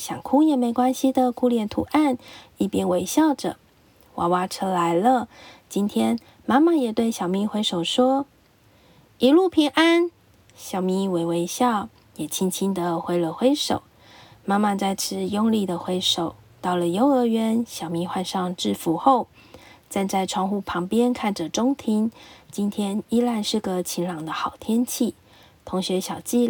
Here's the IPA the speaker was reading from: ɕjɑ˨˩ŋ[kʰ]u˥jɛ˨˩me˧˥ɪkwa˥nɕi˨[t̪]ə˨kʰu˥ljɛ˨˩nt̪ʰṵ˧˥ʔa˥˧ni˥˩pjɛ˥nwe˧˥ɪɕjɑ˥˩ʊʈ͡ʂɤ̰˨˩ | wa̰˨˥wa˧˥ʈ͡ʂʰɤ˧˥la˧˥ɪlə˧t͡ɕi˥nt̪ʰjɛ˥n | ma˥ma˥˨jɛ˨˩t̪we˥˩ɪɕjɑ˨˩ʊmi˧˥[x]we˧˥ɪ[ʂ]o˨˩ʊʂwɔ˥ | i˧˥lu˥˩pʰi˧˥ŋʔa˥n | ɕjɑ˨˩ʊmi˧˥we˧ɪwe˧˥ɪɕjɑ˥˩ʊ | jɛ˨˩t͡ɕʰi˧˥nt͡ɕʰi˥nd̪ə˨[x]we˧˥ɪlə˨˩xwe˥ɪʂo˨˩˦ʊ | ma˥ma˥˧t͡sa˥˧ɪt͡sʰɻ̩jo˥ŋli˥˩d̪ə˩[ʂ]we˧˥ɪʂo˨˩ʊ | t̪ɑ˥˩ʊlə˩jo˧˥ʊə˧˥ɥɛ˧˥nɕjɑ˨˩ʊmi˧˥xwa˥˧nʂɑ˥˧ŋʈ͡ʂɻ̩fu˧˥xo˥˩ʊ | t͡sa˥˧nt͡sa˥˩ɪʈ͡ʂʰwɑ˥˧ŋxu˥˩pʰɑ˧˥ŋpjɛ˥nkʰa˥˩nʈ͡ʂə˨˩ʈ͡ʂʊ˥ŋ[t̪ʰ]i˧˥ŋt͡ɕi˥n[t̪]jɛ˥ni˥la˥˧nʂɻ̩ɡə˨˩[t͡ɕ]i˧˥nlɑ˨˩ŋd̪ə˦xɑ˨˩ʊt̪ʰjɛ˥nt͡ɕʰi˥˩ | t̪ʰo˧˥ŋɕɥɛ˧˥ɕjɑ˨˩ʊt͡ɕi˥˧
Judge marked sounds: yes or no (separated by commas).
yes, no, yes, yes, yes, no, yes, no, no